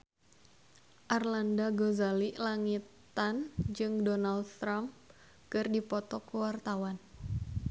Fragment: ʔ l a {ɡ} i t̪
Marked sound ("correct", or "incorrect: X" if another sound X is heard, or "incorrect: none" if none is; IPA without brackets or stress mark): incorrect: ŋ